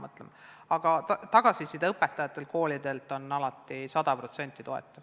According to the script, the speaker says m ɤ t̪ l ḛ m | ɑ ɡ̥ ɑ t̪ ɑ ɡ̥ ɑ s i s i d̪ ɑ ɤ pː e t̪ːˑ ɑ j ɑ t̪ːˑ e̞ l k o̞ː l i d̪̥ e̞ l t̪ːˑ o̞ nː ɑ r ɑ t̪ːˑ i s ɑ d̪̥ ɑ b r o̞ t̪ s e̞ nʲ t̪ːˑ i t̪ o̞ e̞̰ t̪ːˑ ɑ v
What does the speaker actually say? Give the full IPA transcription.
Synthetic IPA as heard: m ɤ t̪ l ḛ m | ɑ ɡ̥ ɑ t̪ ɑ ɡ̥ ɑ s i s i d̪ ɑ ɤ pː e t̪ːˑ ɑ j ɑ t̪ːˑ e̞ l k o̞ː l i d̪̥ e̞ l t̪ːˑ o̞ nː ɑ l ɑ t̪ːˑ i s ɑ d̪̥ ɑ p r o̞ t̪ s e̞ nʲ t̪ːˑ i t̪ o̞ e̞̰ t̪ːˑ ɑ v